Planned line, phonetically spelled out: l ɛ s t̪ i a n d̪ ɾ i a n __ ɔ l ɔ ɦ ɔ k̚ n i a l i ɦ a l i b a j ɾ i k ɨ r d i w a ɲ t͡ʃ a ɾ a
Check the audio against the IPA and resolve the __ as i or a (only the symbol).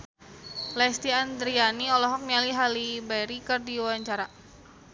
i